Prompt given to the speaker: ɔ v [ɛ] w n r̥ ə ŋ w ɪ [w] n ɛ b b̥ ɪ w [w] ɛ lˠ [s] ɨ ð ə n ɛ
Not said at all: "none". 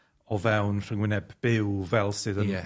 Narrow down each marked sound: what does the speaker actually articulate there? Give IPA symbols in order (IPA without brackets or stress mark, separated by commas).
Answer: ɛ, none, v, s